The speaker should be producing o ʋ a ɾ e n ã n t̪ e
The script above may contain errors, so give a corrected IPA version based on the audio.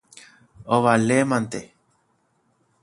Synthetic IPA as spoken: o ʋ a l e m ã n t̪ e

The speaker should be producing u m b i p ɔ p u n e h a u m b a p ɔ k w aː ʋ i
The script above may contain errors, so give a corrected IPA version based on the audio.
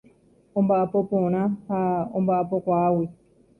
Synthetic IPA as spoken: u m b a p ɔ p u n a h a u m b a p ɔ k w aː w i

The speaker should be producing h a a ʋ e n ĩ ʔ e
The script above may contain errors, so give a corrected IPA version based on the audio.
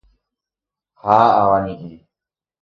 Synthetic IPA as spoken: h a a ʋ a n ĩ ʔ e

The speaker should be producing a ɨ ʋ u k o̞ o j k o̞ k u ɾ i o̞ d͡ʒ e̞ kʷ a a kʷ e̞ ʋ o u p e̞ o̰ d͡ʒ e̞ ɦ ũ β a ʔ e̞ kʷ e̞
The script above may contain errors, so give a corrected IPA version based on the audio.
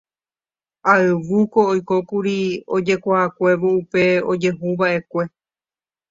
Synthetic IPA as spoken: a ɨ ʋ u k o̞ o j k o̞ k u ɾ i o̞ d͡ʒ e̞ kʷ a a kʷ e̞ ʋ o u p e̞ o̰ d͡ʒ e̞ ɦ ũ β a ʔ e̞ kʷ e̞

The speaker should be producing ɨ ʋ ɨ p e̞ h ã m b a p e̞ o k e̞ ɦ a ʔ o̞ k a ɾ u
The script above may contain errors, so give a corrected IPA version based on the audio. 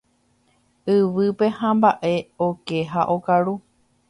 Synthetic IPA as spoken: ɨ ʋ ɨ p e̞ h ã m b a ʔ e̞ o k e̞ ɦ a ʔ o̞ k a ɾ u

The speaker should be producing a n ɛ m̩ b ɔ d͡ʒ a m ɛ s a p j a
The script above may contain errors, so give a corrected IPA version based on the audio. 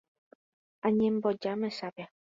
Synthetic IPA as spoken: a ɲ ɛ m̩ b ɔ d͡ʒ a m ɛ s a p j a

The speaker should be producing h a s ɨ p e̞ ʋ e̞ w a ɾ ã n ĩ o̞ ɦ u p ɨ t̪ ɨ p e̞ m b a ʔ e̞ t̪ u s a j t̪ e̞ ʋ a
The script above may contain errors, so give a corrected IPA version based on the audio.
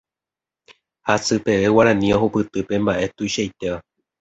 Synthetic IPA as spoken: h a s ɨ p e̞ ʋ e̞ w a ɾ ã n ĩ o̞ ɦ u p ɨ t̪ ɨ p e̞ m b a ʔ e̞ t̪ u ʃ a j t̪ e̞ ʋ a

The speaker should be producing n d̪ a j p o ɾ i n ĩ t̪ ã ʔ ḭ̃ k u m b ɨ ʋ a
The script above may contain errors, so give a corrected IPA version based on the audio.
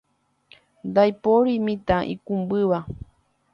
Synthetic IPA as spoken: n d̪ a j p o ɾ i m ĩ t̪ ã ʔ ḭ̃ k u m b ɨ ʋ a

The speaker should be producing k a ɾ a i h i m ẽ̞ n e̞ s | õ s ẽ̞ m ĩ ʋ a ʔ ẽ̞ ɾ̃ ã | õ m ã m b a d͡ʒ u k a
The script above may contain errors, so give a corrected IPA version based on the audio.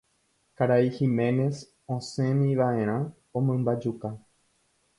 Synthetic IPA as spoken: k a ɾ a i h i m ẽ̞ n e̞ s | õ s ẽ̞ m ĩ ʋ a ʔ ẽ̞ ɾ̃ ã | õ m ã m b a d͡ʒ u k a

